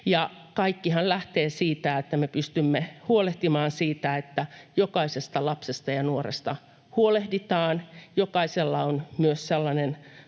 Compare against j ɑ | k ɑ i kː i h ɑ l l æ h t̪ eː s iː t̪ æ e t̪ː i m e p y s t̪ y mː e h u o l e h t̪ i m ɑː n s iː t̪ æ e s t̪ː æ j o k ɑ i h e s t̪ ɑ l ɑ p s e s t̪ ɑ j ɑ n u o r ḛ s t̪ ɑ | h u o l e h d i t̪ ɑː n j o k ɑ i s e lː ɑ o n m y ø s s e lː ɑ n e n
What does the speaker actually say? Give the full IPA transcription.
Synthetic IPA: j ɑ | k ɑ i kː i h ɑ l l æ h t̪ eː s iː t̪ æ e t̪ː æ m e p y s t̪ y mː e h u o l e h t̪ i m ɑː n s iː t̪ æ e t̪ː æ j o k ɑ i s e s t̪ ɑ l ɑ p s e s t̪ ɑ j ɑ n u o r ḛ s t̪ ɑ | h u o l e h d i t̪ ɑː n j o k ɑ i s e lː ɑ o n m y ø s s e lː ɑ n e n